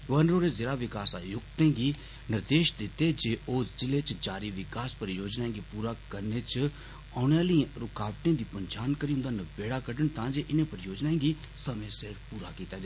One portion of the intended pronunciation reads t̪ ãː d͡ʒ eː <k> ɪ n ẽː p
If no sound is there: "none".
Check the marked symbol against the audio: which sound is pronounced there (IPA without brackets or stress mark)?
ʔ